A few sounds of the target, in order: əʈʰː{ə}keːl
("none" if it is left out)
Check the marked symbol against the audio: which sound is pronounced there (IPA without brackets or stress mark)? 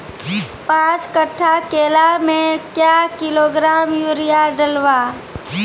a